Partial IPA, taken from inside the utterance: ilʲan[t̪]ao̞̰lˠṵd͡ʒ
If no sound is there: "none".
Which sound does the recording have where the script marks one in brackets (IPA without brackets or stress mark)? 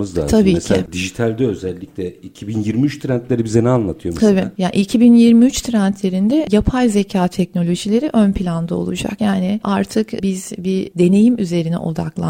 d̪